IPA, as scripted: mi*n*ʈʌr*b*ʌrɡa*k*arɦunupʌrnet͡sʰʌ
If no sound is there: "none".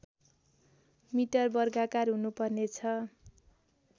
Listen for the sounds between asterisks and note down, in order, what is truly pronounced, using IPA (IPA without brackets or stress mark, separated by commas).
none, b, k